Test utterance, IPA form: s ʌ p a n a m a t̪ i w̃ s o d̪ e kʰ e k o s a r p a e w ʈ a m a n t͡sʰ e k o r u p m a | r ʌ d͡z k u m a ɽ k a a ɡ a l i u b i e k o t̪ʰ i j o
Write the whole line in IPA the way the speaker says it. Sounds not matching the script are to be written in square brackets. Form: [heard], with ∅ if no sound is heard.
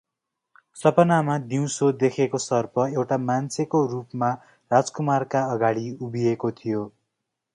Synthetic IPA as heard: s ʌ p [ʌ] n a m a [d̪] i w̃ s o d̪ e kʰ e k o s [ʌ] r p [ʌ] e w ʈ a m a n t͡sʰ e k o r u p m a | r [a] d͡z k u m a [r] k a [ʌ] ɡ a [ɽ] i u b i e k o t̪ʰ i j o